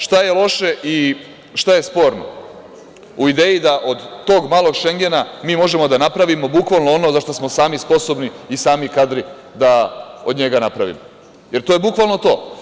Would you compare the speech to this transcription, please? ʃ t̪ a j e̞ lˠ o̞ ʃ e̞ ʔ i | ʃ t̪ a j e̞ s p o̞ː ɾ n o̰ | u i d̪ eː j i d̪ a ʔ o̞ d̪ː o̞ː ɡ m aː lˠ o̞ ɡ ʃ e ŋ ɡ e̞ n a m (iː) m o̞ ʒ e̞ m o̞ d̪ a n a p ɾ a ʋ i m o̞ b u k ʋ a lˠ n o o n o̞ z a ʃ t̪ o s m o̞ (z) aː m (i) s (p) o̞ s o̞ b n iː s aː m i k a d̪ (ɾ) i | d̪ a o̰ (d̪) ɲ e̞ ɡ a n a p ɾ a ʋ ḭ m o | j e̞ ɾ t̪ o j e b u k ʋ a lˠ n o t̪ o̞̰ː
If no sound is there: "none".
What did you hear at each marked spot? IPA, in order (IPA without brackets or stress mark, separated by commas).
iː, s, i, p, ɾ, d̪